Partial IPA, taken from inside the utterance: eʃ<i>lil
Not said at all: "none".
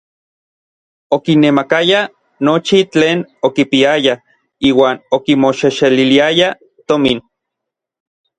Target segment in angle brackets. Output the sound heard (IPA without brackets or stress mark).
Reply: e